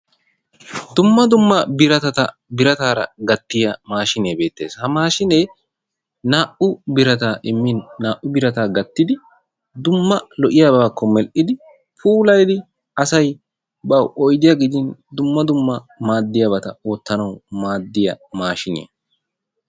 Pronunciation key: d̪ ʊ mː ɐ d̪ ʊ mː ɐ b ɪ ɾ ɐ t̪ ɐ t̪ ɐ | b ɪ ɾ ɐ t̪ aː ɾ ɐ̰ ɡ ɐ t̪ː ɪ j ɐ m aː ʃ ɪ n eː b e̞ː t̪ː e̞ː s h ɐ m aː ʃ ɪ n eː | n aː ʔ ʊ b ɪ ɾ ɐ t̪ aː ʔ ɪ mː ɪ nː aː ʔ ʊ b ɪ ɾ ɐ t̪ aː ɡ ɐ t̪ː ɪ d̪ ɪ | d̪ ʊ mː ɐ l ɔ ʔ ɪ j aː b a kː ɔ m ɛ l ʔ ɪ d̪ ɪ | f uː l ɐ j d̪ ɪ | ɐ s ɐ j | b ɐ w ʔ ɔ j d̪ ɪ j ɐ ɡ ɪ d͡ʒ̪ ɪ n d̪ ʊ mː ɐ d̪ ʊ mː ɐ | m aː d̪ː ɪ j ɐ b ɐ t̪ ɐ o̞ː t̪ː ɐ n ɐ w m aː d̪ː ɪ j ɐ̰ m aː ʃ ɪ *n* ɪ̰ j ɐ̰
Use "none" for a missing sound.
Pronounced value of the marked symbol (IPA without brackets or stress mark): n